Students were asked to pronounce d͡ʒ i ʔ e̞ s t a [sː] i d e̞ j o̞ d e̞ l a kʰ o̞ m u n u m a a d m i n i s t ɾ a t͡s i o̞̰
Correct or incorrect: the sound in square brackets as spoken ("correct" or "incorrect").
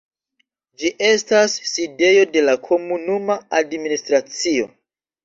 correct